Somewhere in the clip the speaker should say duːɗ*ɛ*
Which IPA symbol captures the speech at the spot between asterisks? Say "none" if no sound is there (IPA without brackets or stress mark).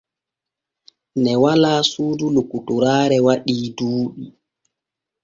i